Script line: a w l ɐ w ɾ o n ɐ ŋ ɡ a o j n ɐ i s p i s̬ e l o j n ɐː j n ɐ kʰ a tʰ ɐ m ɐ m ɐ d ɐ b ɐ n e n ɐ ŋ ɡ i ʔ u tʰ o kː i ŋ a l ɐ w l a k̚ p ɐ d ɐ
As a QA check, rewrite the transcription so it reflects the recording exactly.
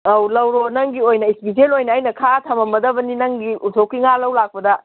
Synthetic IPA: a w l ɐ w ɾ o n ɐ ŋ ɡ i o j n ɐ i s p i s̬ e l o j n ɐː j n ɐ kʰ a tʰ ɐ m ɐ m ɐ d ɐ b ɐ n i n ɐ ŋ ɡ i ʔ u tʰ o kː i ŋ a l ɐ w l a k̚ p ɐ d ɐ